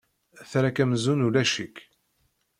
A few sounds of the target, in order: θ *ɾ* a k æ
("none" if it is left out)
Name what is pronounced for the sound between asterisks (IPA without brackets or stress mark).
ɾ